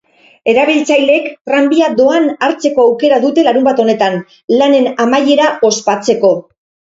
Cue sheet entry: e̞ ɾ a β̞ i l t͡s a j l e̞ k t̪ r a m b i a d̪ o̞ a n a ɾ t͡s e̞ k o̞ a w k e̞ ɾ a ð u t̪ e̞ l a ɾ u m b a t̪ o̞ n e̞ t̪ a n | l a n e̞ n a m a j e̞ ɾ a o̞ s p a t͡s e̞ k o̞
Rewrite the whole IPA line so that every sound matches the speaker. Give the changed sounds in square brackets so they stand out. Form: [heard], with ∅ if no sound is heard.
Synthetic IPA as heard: e̞ ɾ a β̞ i l t͡s a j l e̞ k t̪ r a m b i a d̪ o̞ a n a ɾ t͡s e̞ k o̞ a w k e̞ ɾ a ð u t̪ e̞ l a ɾ u m b a t̪ o̞ n e̞ t̪ a n | l a n e̞ n a m a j e̞ ɾ a o̞ s p a t͡s e̞ k o̞

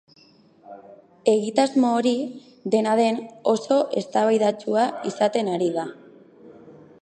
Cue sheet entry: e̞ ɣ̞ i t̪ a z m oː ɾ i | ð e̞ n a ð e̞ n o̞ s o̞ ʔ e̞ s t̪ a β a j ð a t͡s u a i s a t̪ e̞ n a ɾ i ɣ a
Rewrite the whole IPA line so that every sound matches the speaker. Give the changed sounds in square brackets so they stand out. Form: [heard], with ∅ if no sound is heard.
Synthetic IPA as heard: e̞ ɣ̞ i t̪ a z m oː ɾ i | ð e̞ n a ð e̞ n o̞ s o̞ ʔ e̞ s t̪ a β a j ð a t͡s u a i s a t̪ e̞ n a ɾ i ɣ a

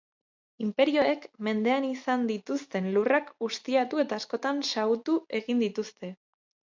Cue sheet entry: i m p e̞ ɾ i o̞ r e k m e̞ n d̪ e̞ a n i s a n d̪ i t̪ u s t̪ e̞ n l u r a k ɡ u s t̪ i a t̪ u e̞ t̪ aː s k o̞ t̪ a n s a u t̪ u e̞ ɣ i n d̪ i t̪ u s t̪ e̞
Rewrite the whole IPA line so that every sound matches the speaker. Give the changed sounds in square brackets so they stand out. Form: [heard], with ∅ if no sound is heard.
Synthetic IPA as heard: i m p e̞ ɾ i o̞ [∅] e k m e̞ n d̪ e̞ a n i s a n d̪ i t̪ u s t̪ e̞ n l u r a k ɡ u s t̪ i a t̪ u e̞ t̪ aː s k o̞ t̪ a n s a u t̪ u e̞ ɣ i n d̪ i t̪ u s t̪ e̞

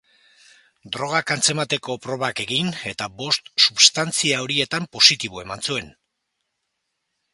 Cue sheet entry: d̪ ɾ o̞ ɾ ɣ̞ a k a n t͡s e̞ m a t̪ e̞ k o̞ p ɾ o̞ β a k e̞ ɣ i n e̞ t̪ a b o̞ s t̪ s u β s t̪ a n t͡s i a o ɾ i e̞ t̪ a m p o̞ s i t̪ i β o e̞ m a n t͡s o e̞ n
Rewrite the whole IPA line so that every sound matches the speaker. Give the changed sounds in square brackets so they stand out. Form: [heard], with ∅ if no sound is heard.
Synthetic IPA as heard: d̪ ɾ o̞ [∅] ɣ̞ a k a n t͡s e̞ m a t̪ e̞ k o̞ p ɾ o̞ β a k e̞ ɣ i n e̞ t̪ a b o̞ s t̪ s u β s t̪ a n t͡s i a o ɾ i e̞ t̪ a m p o̞ s i t̪ i β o e̞ m a n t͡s [u] e̞ n

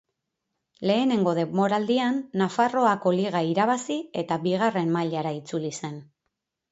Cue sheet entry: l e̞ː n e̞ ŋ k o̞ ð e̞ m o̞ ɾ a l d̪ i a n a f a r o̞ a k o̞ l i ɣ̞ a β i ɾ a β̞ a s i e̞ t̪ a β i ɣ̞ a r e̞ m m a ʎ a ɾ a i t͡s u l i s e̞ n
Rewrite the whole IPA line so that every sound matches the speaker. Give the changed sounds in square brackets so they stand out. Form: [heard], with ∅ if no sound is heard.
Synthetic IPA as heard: l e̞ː n e̞ ŋ [ɡ] o̞ ð e̞ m o̞ ɾ a l d̪ i a [nː] a f a r o̞ a k o̞ l i ɣ̞ a [∅] i ɾ a β̞ a s i e̞ t̪ a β i ɣ̞ a r e̞ m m a ʎ a ɾ a i t͡s u l i s e̞ n

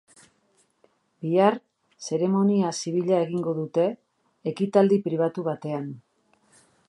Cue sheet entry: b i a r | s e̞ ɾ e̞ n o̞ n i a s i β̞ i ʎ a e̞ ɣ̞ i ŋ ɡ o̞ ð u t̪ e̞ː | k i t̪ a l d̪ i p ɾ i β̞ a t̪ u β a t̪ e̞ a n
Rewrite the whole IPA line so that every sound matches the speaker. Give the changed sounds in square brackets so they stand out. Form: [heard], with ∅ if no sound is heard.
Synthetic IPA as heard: b i a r | s e̞ ɾ e̞ [m] o̞ n i a s i β̞ i ʎ a e̞ ɣ̞ i ŋ ɡ o̞ ð u t̪ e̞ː | k i t̪ a l d̪ i p ɾ i β̞ a t̪ u β a t̪ e̞ a n

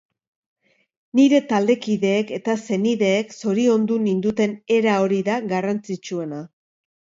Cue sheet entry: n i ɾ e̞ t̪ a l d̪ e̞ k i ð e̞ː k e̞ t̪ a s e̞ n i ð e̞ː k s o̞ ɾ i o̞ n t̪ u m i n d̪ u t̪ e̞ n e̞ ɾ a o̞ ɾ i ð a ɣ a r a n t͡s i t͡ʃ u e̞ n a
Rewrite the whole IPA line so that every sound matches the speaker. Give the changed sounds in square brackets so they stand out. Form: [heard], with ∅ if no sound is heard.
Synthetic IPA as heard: n i ɾ e̞ t̪ a l d̪ e̞ k i ð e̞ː k e̞ t̪ a s e̞ n i ð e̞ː k s o̞ ɾ i o̞ n [d̪] u [n] i n d̪ u t̪ e̞ n e̞ ɾ a o̞ ɾ i ð a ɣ a r a n t͡s i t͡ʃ u e̞ n a

